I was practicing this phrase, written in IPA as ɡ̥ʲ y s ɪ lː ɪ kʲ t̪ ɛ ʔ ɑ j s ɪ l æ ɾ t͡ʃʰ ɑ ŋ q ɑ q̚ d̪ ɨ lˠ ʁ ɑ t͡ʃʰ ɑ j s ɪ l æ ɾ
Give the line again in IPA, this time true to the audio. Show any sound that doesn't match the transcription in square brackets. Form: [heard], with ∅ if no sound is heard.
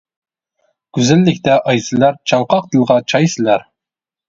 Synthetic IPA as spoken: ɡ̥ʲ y [z] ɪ lː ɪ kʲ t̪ ɛ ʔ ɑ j s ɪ l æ ɾ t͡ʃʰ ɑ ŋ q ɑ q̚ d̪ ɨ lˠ ʁ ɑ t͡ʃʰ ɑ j s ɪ l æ ɾ